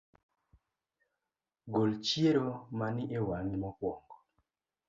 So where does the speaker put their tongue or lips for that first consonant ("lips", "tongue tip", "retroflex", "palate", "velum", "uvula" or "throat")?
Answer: velum